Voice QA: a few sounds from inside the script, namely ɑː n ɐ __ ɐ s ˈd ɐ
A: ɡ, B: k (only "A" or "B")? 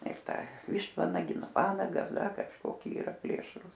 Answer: A